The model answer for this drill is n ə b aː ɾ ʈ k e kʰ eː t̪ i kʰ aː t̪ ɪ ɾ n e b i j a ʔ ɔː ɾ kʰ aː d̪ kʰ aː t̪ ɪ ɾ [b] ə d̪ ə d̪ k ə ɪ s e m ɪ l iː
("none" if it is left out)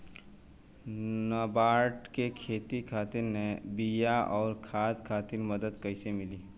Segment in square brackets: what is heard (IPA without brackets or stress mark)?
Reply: m